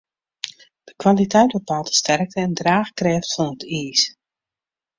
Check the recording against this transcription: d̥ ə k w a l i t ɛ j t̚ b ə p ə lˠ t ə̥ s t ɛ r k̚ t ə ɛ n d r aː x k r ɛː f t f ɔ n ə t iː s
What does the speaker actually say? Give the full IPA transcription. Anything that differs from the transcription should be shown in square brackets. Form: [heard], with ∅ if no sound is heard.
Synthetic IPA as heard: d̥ ə k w a l i t ɛ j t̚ b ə p [a] lˠ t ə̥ s t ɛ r k̚ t ə ɛ n d r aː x k r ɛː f t f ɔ n ə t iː s